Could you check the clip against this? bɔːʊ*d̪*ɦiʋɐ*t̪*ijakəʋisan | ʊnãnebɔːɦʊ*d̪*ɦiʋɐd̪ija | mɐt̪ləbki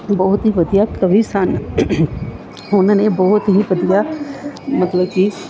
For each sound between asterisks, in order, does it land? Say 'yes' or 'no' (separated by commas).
no, no, no